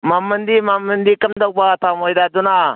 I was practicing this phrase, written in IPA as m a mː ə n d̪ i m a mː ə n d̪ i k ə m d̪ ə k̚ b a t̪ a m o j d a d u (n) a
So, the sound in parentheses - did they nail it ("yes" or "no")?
yes